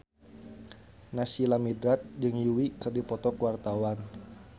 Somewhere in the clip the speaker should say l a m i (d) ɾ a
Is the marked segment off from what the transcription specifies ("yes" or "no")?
no